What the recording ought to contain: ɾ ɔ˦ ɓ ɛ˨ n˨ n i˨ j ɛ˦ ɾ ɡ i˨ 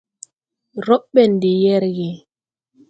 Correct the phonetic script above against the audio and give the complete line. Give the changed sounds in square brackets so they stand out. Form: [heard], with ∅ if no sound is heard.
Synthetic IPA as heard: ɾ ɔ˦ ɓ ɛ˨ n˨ [d] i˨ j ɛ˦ ɾ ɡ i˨